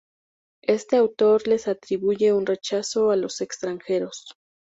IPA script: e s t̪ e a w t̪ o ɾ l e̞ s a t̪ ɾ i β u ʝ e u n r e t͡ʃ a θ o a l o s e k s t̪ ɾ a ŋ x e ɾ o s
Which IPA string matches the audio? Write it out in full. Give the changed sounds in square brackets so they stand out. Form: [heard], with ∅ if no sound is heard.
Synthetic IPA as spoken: e s t̪ e a w t̪ o ɾ l e̞ s a t̪ ɾ i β u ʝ e u n r e t͡ʃ a [s] o a l o s e k s t̪ ɾ a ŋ x e ɾ o s